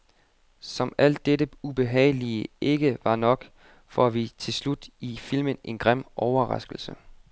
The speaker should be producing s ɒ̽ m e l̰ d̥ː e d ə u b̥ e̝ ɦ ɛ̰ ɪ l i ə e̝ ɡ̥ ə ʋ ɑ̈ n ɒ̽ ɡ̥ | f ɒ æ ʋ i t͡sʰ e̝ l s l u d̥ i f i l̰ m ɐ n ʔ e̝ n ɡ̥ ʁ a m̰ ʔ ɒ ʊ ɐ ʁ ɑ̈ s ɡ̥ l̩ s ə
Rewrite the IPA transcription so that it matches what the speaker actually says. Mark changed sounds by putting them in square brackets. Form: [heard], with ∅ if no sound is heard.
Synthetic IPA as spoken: s ɒ̽ m [æ] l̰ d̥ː e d ə u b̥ e̝ ɦ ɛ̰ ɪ l i ə e̝ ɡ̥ ə ʋ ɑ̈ n ɒ̽ ɡ̥ | f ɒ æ ʋ i t͡sʰ e̝ l s l u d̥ i f i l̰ m [ə] n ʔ e̝ n ɡ̥ ʁ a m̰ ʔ ɒ ʊ ɐ ʁ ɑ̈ s ɡ̥ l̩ s ə